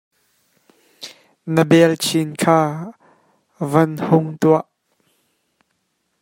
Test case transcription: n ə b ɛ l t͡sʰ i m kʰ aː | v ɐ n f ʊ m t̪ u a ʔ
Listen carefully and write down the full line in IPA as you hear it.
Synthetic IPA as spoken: n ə b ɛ l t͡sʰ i n kʰ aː | v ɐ n h ʊ ŋ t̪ u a ʔ